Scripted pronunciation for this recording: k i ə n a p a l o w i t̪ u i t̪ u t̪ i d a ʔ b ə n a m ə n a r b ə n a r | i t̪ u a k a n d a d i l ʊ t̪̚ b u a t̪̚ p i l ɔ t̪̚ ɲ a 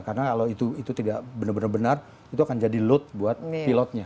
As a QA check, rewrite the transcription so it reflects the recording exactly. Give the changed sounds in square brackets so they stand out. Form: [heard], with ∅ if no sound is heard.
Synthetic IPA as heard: k [a] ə n a [k] a l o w i t̪ u i t̪ u t̪ i d a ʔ b ə n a [b] ə n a r b ə n a r | i t̪ u a k a n [d͡ʒ] a d i l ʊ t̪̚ b u a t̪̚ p i l ɔ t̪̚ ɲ a